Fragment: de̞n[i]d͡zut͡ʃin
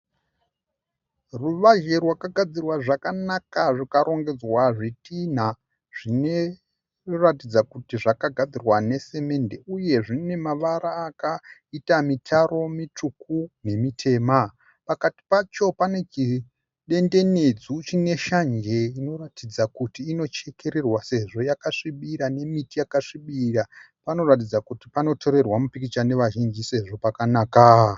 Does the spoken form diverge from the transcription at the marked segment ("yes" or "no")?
yes